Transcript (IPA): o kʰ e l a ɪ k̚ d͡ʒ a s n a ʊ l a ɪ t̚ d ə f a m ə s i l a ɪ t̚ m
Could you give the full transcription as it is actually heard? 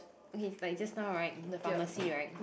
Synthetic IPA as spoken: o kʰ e l a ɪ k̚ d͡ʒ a s n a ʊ ɹ a ɪ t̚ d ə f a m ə s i ɹ a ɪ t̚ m